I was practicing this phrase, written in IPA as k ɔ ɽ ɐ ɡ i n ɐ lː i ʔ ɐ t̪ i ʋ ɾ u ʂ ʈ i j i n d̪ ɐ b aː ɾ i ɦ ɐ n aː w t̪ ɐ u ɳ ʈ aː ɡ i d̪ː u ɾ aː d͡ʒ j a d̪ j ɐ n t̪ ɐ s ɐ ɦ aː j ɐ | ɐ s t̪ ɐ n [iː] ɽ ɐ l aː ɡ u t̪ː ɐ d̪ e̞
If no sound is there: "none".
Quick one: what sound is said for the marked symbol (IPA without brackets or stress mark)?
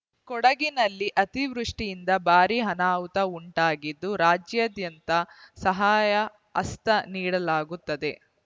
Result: iː